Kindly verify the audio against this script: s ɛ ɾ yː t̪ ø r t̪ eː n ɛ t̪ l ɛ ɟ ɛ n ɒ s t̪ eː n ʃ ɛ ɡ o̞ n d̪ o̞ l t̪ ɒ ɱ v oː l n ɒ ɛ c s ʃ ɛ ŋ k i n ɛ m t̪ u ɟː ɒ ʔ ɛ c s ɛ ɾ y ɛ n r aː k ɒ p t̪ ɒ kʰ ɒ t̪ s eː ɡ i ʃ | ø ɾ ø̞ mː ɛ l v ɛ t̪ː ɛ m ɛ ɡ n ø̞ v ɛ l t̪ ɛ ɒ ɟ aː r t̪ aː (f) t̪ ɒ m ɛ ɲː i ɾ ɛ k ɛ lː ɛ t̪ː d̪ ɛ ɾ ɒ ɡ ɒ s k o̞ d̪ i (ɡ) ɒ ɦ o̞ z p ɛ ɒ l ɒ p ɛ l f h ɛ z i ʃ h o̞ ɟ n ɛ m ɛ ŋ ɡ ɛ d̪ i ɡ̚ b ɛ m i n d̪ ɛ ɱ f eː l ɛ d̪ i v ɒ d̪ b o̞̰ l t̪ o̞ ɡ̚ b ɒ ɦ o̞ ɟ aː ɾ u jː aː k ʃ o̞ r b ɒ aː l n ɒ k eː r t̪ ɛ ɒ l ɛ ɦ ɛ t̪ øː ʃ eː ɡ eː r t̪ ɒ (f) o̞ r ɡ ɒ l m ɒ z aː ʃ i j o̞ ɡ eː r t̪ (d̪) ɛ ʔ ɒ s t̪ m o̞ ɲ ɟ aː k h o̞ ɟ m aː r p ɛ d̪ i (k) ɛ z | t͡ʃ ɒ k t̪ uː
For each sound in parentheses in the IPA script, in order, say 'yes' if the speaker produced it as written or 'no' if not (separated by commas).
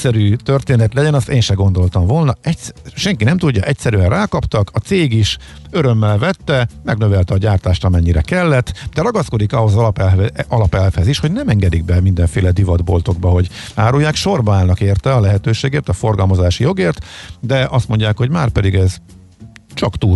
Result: no, no, yes, yes, no